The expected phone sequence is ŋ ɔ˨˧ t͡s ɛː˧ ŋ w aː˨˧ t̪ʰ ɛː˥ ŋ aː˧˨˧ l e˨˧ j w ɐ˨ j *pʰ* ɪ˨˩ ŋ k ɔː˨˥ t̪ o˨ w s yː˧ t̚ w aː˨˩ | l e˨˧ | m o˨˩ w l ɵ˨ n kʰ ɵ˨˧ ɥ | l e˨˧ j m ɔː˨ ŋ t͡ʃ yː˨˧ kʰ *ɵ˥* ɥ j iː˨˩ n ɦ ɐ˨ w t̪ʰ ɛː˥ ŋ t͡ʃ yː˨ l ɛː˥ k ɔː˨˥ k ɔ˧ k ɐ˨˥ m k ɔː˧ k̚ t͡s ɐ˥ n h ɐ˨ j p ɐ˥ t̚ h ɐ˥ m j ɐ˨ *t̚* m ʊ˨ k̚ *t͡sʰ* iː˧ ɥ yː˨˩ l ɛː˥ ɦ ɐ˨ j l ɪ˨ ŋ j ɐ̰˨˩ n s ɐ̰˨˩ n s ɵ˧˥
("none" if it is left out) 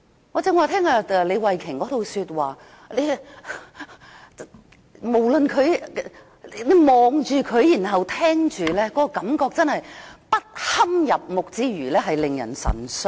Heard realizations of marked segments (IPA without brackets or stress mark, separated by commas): kʰ, ɵ˨˧, p̚, t͡s